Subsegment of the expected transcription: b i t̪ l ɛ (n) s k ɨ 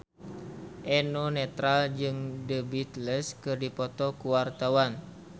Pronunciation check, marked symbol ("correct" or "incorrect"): incorrect